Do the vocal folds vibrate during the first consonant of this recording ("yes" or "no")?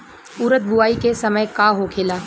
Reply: yes